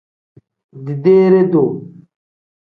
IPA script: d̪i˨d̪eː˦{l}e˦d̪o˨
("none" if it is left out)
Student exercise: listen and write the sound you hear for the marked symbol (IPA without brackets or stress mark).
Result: ɾ